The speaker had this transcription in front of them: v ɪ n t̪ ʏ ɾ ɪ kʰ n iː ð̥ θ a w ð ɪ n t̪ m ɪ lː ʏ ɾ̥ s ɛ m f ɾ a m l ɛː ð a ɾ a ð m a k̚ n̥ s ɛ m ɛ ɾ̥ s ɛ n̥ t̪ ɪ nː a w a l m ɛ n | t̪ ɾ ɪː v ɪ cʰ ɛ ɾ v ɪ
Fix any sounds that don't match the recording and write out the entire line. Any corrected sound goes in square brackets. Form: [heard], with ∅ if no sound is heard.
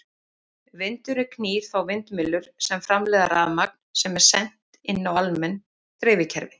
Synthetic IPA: v ɪ n t̪ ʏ ɾ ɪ kʰ n iː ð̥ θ a w [v] ɪ n t̪ m ɪ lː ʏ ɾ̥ s ɛ m f ɾ a m l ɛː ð a ɾ a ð m a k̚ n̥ s ɛ m ɛ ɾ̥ s ɛ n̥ t̪ ɪ nː a w a l m ɛ n | t̪ ɾ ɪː v ɪ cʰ ɛ ɾ v ɪ